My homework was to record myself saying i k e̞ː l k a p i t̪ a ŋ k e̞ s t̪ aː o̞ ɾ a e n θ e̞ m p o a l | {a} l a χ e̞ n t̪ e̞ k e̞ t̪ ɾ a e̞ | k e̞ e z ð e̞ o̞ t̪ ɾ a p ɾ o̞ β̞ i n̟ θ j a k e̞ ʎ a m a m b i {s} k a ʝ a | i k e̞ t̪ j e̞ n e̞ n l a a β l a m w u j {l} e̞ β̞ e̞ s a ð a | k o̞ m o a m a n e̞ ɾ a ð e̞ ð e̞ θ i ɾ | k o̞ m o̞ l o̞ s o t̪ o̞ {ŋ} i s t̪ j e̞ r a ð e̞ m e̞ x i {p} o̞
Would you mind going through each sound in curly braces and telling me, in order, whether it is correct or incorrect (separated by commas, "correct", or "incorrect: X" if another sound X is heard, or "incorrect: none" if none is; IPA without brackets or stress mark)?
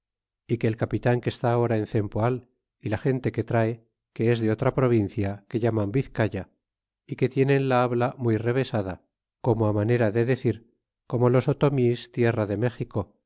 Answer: incorrect: i, incorrect: θ, incorrect: r, incorrect: m, incorrect: k